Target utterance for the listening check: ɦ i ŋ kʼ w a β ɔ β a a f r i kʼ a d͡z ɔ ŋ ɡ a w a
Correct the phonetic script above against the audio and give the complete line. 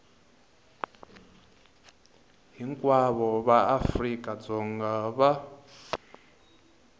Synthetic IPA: ɦ i ŋ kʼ w a β ɔ β a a f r i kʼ a d͡z ɔ ŋ ɡ a β a